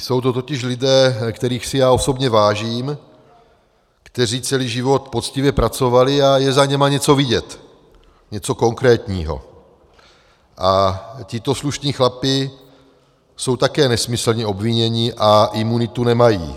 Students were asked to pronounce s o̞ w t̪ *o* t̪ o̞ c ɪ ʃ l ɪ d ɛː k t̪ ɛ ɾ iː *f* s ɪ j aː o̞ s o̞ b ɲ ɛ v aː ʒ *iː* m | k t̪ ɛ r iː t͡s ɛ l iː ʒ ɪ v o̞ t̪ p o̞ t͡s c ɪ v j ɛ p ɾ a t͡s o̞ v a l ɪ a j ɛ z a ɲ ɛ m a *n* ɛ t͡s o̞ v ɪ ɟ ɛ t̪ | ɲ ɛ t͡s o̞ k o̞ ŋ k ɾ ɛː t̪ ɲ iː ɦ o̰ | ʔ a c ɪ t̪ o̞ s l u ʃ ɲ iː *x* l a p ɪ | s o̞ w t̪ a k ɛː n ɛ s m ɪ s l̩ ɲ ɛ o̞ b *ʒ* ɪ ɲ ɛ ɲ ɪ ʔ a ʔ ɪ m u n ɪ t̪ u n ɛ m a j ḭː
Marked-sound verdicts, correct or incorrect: correct, incorrect: x, correct, incorrect: ɲ, correct, incorrect: v

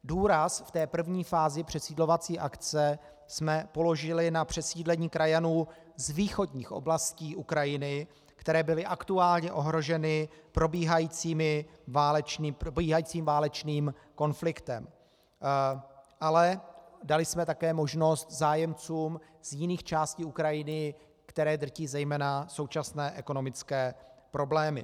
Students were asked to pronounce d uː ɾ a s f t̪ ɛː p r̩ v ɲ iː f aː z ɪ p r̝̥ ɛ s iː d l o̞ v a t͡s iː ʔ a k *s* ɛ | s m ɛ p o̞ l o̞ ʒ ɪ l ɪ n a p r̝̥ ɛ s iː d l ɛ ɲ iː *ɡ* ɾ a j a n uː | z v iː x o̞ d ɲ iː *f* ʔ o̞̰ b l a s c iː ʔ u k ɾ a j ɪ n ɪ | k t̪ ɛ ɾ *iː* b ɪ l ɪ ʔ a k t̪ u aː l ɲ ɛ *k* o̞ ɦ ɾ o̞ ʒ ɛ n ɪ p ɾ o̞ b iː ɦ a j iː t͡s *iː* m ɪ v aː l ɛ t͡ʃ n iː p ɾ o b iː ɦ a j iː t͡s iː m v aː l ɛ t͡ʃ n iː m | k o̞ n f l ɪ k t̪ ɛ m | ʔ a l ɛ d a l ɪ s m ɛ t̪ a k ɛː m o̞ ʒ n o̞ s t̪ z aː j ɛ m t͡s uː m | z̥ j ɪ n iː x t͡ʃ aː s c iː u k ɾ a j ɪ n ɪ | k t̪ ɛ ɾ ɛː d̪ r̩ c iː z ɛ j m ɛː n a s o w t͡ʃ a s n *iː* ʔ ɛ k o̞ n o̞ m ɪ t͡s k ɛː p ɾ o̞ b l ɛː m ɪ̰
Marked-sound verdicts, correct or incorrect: incorrect: t͡s, incorrect: k, incorrect: x, incorrect: ɛː, incorrect: ʔ, correct, incorrect: ɛː

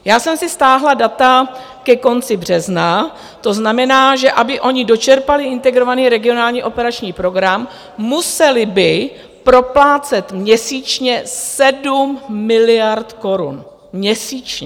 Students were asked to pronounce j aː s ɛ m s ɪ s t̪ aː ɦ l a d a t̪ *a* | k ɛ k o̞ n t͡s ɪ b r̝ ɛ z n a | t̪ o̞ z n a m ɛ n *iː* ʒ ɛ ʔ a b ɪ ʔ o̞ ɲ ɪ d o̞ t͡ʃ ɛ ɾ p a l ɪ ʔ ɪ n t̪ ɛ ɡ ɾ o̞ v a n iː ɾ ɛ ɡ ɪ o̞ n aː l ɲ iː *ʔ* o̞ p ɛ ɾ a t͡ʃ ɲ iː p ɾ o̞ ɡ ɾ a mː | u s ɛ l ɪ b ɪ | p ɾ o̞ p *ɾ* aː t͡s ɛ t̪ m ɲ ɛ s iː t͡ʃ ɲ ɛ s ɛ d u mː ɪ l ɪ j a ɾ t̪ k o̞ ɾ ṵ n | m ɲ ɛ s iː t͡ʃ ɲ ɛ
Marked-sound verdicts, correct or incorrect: correct, incorrect: aː, correct, incorrect: l

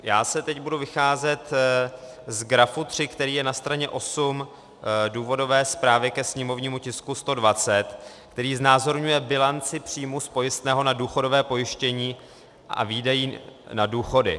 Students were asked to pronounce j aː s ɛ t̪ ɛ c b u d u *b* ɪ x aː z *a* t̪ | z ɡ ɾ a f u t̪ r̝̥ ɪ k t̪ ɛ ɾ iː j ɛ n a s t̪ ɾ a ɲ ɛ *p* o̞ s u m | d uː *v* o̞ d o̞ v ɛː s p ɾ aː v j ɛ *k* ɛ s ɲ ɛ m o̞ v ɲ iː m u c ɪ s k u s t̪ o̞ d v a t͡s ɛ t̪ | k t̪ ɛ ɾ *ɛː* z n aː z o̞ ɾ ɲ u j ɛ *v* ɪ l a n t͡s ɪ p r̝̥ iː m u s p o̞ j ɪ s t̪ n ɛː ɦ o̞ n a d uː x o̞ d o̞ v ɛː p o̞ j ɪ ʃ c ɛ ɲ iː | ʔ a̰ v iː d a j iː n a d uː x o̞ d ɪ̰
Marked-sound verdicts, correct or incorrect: incorrect: v, incorrect: ɛ, incorrect: ʔ, correct, correct, incorrect: iː, incorrect: b

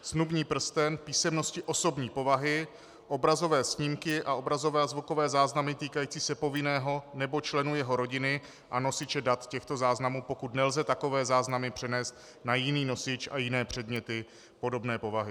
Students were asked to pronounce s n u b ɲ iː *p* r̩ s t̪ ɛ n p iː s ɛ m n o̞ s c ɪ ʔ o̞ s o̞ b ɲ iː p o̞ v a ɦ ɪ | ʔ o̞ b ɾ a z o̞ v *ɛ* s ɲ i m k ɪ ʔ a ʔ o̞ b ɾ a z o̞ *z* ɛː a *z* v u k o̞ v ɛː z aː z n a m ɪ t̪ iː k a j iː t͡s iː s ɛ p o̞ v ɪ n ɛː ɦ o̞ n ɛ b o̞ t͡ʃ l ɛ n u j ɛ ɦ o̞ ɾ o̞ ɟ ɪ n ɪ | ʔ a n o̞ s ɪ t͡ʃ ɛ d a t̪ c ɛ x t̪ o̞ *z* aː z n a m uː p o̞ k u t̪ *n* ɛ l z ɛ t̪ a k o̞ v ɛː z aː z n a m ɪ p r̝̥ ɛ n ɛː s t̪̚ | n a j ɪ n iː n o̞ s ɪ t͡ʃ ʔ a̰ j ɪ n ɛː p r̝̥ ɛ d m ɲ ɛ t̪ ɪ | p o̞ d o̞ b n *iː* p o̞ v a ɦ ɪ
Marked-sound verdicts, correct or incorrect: correct, incorrect: ɛː, incorrect: v, correct, correct, correct, incorrect: ɛː

